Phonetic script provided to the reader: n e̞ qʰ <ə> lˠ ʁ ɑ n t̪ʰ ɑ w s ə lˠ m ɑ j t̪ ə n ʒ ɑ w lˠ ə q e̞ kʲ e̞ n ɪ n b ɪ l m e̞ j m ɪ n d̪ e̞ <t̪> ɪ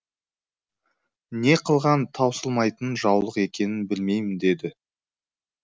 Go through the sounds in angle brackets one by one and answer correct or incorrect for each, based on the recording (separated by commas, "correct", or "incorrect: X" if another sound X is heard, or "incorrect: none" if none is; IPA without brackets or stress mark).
correct, incorrect: d̪